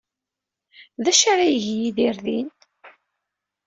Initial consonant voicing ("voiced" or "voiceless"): voiced